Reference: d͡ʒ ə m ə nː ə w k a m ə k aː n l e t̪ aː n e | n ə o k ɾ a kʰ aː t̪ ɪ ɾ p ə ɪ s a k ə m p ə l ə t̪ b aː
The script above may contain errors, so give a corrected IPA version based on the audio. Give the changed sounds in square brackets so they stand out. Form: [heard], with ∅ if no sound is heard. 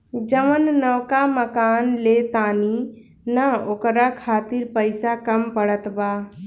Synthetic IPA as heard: d͡ʒ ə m ə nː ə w k a m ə k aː n l e t̪ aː n [i] | n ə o k ɾ a kʰ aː t̪ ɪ ɾ p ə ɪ s a k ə m p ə [ɽ] ə t̪ b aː